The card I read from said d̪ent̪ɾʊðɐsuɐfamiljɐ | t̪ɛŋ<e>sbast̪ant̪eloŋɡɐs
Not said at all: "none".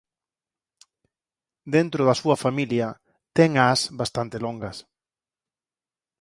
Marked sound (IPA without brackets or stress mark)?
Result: a